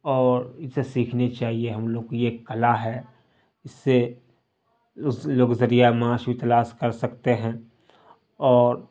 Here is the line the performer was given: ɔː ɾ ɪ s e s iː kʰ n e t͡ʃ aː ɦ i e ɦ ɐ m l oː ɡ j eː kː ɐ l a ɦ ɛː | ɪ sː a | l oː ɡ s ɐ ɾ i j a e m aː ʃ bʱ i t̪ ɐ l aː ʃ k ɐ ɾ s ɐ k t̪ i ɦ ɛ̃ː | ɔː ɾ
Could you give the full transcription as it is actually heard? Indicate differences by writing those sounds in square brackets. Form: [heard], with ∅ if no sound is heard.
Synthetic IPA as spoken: ɔː ɾ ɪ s e s iː kʰ n e t͡ʃ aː ɦ i e ɦ ɐ m l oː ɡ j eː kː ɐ l a ɦ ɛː | ɪ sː [e] | l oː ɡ [z] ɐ ɾ i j a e m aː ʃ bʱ i t̪ ɐ l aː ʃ k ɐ ɾ s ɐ k t̪ [e] ɦ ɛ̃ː | ɔː ɾ